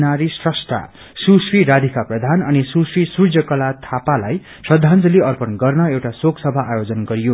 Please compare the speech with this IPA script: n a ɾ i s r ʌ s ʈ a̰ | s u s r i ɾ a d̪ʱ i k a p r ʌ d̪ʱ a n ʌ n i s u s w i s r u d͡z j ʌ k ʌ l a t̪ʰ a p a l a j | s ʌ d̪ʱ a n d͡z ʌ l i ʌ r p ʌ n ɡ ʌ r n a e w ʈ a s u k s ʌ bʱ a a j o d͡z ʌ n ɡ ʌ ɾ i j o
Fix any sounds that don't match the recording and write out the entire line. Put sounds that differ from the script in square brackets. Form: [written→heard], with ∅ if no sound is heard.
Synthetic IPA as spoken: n a ɾ i s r ʌ s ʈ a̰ | s u s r i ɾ a d̪ʱ i k a p r ʌ d̪ʱ a n ʌ n i s u s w i s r u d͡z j ʌ k ʌ l a t̪ʰ a p a l a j | s ʌ d̪ʱ a n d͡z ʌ l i ʌ r p ʌ n ɡ ʌ r n [a→ʌ] e w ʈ a s [u→o] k s ʌ bʱ a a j o d͡z ʌ n ɡ ʌ ɾ i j o